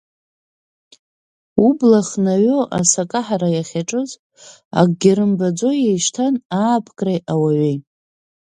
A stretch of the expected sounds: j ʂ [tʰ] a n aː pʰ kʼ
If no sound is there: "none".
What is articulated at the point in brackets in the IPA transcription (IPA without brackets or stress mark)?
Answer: tʰ